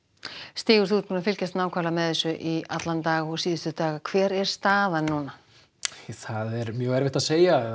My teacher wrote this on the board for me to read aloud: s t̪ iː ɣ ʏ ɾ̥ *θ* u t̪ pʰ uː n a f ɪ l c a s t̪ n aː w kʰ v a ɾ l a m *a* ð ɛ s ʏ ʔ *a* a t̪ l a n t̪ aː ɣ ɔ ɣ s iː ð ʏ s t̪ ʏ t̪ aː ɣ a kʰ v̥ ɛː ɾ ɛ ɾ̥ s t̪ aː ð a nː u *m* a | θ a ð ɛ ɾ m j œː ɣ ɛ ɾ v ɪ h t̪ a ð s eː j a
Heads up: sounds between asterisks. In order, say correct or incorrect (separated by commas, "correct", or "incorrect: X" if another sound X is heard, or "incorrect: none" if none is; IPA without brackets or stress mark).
correct, incorrect: ɛ, incorrect: i, incorrect: n